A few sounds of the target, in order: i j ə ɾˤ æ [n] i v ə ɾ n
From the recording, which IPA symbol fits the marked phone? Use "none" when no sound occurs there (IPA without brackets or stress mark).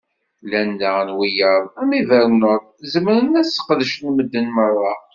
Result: m